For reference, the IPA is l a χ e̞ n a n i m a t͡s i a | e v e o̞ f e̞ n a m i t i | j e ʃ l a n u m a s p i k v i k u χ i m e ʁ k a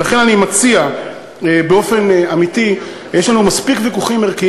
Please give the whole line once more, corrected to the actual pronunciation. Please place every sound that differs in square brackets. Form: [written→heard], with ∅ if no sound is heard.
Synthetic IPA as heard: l a χ e̞ n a n i m a t͡s i a | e [v→b] e o̞ f e̞ n a m i t i | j e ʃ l a n u m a s p i k v i k u χ i m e ʁ k [a→i]